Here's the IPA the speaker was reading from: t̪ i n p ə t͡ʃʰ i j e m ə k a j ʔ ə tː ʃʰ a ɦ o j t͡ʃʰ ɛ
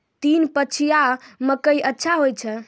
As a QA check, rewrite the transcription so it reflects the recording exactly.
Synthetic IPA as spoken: t̪ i n p ə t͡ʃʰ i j a m ə k ə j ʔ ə tː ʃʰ a ɦ o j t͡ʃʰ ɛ